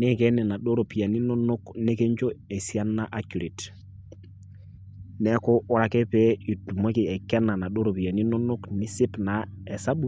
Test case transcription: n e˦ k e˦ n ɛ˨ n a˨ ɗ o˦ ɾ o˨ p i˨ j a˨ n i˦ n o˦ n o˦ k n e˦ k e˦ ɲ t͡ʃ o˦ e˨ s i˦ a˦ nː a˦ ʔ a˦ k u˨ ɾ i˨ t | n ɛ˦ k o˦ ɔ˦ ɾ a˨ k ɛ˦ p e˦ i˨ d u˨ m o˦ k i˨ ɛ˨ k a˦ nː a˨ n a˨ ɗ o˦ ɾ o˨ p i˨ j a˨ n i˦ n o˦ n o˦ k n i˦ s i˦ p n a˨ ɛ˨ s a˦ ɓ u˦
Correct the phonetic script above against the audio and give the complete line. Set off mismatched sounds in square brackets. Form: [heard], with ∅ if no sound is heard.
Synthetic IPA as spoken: n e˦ k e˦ n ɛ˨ n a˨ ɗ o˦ ɾ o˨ p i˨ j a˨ n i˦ n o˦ n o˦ k n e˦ k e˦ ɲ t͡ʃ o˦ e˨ s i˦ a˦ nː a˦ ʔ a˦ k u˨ ɾ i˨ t | n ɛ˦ k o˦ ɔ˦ ɾ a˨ k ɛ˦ p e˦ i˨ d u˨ m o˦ k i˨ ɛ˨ k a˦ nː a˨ n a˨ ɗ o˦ ɾ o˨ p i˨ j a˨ n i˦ n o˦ n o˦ k n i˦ s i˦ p n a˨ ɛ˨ s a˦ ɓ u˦